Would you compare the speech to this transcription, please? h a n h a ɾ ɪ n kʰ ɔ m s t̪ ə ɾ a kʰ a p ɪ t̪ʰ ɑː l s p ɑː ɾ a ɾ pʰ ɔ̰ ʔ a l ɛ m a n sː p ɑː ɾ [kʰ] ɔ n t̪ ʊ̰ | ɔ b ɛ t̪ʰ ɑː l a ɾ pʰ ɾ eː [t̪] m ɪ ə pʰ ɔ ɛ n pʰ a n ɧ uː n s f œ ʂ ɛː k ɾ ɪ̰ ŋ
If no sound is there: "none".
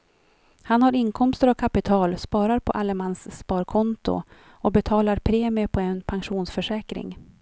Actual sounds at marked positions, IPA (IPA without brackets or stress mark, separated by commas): kʰ, none